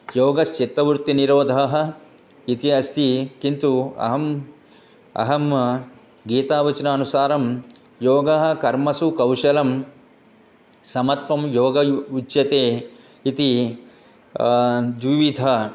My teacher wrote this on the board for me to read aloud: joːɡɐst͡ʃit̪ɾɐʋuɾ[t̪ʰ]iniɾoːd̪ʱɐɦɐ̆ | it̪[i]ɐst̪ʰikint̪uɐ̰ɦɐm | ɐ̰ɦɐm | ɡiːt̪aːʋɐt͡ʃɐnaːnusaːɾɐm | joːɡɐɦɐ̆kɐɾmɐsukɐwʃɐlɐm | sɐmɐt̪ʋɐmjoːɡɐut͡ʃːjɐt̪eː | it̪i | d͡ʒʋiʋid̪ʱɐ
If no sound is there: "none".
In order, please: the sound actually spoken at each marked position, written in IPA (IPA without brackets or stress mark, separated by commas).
t̪, i